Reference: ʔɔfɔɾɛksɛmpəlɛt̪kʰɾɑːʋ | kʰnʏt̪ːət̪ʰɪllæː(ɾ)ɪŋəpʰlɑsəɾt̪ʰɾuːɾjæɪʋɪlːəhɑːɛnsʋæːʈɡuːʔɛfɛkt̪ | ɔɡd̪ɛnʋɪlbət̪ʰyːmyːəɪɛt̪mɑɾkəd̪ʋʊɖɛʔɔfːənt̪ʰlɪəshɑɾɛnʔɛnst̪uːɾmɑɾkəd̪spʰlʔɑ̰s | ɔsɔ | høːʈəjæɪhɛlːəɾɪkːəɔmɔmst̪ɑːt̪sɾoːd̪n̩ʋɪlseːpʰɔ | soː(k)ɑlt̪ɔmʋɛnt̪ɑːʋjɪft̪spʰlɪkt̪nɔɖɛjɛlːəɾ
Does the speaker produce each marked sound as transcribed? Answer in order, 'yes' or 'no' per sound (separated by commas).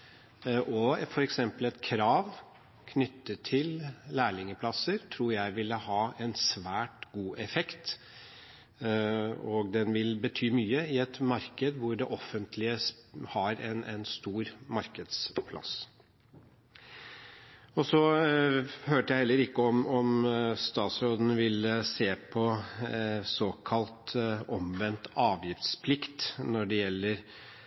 no, no